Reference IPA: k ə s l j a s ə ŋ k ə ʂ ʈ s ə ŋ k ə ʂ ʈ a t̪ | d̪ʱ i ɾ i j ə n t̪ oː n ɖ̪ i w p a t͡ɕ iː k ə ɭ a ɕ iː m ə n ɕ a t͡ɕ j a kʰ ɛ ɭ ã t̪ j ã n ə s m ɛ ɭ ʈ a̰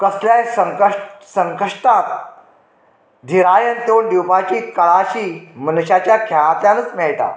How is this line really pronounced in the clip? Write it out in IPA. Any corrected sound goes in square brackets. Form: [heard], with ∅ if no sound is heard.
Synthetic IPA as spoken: k ə s l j a s ə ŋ k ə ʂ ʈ s ə ŋ k ə ʂ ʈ a t̪ | d̪ʱ i ɾ [a] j ə n t̪ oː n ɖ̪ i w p a t͡ɕ iː k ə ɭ a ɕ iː m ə n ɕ a t͡ɕ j a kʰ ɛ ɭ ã t̪ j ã n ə [t͡s] m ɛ ɭ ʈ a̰